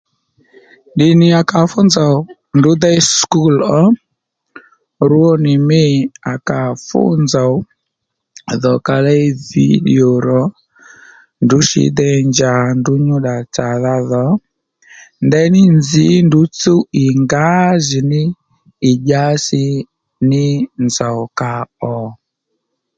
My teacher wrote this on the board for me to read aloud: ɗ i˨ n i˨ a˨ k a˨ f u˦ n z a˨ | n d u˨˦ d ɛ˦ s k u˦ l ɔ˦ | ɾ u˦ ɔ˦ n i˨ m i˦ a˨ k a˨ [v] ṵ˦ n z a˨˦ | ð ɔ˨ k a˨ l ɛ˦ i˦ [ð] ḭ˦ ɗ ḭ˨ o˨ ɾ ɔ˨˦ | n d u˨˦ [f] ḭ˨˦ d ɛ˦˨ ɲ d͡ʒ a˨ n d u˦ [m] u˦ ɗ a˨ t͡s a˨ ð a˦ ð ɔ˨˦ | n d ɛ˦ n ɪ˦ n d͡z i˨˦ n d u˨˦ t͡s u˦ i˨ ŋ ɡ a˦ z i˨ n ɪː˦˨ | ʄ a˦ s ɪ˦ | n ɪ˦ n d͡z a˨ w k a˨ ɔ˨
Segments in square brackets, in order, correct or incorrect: incorrect: f, incorrect: v, incorrect: ʃ, incorrect: ɲ

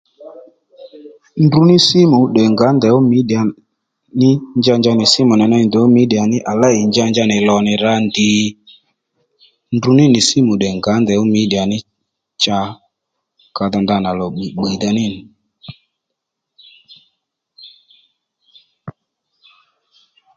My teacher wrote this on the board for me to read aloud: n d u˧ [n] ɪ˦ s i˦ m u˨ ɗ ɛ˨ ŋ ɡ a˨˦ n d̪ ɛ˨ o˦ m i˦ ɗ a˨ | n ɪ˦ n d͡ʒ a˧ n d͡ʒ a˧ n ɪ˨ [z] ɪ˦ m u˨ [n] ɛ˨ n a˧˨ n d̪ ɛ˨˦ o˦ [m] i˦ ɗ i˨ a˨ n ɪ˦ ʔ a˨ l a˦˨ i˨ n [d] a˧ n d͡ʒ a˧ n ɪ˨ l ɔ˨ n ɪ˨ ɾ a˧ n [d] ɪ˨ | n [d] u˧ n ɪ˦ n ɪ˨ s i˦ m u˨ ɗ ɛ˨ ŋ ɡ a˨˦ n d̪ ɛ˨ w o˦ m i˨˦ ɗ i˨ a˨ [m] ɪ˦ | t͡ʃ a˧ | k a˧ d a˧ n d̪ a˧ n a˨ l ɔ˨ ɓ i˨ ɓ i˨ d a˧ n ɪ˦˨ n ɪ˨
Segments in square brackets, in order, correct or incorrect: correct, incorrect: s, correct, correct, incorrect: d͡ʒ, correct, correct, incorrect: n

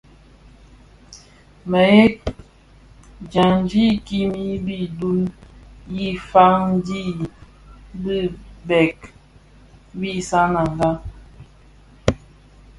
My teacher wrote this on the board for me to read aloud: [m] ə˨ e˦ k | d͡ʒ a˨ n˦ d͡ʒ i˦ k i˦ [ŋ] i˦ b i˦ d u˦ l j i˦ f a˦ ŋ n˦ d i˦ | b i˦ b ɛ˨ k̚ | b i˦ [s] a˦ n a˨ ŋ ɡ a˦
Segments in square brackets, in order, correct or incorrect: correct, incorrect: m, correct

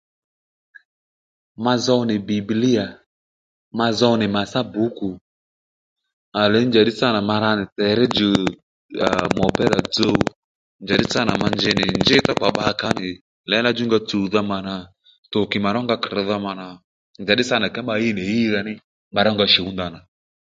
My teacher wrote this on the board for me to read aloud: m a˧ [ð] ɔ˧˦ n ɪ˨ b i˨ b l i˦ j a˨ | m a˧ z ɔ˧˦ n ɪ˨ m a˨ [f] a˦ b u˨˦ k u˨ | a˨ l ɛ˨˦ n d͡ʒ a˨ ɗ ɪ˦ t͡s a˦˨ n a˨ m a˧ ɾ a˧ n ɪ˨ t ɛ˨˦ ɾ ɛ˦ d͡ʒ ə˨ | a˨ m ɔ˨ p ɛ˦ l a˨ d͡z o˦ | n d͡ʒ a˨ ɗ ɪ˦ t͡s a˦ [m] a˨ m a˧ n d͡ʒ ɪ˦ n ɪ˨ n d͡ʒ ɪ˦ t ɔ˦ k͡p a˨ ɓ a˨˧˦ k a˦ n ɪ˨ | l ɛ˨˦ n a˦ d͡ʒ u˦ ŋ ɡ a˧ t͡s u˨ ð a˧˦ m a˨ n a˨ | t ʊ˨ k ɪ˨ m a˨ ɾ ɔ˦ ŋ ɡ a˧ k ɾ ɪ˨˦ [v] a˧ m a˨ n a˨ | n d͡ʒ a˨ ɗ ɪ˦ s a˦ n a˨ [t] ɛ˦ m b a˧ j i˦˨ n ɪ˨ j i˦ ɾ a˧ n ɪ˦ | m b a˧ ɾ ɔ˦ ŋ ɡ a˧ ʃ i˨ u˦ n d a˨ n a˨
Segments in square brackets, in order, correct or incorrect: incorrect: z, incorrect: s, incorrect: n, incorrect: ð, incorrect: k

